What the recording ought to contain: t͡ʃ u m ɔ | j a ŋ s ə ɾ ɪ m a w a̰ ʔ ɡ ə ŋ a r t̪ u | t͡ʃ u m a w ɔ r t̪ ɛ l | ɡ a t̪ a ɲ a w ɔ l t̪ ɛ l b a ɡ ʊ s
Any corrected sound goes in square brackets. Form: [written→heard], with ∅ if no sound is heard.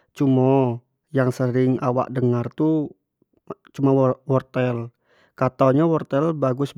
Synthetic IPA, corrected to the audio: t͡ʃ u m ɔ | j a ŋ s ə ɾ ɪ [m→ŋ] a w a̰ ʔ [ɡ→d] ə ŋ a r t̪ u | t͡ʃ u m a w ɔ r t̪ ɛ l | [ɡ→k] a t̪ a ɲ a w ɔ [l→r] t̪ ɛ l b a ɡ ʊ s

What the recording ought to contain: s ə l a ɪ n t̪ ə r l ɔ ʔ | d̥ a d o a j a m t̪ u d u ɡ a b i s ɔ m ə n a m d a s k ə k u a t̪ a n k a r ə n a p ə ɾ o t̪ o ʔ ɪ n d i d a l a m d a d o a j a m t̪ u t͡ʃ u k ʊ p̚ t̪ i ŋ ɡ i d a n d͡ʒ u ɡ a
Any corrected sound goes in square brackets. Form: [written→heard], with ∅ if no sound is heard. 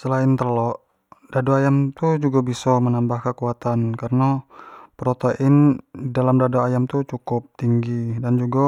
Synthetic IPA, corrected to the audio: s ə l a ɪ n t̪ ə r l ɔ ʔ | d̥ a d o a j a m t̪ u [d→d͡ʒ] u ɡ a b i s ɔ m ə n a m [d→b] a [s→h] k ə k u a t̪ a n k a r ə n a p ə ɾ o t̪ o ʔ ɪ n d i d a l a m d a d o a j a m t̪ u t͡ʃ u k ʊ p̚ t̪ i ŋ ɡ i d a n d͡ʒ u ɡ a

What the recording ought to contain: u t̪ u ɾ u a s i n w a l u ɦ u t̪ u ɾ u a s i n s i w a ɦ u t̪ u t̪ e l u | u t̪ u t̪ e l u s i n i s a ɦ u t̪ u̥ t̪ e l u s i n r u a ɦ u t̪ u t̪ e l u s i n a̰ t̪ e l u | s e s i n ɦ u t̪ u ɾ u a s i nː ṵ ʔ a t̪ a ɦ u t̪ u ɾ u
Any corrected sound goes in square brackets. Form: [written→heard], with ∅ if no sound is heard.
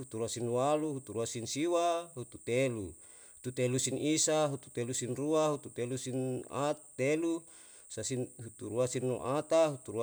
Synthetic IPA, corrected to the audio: u t̪ u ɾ u a s i n w a l u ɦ u t̪ u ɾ u a s i n s i w a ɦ u t̪ u t̪ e l u | u t̪ u t̪ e l u s i n i s a ɦ u t̪ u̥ t̪ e l u s i n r u a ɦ u t̪ u t̪ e l u s i n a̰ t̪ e l u | s [e→a] s i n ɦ u t̪ u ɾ u a s i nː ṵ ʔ a t̪ a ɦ u t̪ u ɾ u

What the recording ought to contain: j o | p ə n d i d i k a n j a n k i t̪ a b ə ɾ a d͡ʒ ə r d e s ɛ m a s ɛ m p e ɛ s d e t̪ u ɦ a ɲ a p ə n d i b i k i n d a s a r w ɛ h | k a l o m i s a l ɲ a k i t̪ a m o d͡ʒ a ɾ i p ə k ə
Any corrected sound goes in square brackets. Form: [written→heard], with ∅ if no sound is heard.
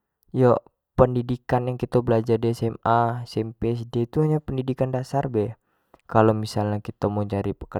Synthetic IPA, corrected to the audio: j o | p ə n d i d i k a n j a [n→ŋ] k i t̪ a b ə [ɾ→l] a d͡ʒ [ə→a] r d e s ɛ m a s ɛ m p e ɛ s d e t̪ u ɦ a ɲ a p ə n d i [b→d] i k [i→a] n d a s a r [w→b] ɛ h | k a l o m i s a l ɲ a k i t̪ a m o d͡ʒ a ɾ i p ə k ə

